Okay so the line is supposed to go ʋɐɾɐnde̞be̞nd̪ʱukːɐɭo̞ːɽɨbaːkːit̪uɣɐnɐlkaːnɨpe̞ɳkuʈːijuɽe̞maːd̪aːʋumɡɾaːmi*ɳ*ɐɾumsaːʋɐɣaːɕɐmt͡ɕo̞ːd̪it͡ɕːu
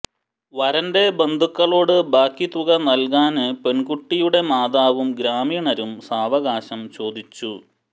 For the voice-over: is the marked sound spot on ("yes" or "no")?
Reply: yes